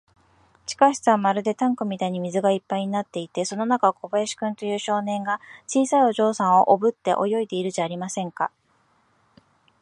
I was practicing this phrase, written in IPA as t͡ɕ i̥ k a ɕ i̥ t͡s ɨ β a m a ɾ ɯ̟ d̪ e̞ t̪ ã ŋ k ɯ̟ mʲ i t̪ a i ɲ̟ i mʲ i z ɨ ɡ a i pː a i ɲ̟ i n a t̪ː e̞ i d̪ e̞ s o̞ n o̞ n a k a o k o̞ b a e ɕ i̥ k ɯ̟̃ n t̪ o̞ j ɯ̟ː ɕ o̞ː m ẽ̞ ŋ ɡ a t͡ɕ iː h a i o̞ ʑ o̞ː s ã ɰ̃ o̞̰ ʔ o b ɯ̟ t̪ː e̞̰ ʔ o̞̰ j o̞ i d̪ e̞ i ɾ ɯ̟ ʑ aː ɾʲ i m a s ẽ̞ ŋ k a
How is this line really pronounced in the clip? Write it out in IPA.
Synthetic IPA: t͡ɕ i̥ k a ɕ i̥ t͡s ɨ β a m a ɾ ɯ̟ d̪ e̞ t̪ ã ŋ k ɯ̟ mʲ i t̪ a i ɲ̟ i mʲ i z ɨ ɡ a i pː a i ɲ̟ i n a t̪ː e̞ i t̪ e̞ s o̞ n o̞ n a k a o k o̞ b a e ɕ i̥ k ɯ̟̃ n t̪ o̞ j ɯ̟ː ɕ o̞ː n ẽ̞ ŋ ɡ a t͡ɕ iː s a i o̞ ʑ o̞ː s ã ɰ̃ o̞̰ ʔ o b ɯ̟ t̪ː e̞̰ ʔ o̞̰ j o̞ i d̪ e̞ i ɾ ɯ̟ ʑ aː ɾʲ i m a s ẽ̞ ŋ k a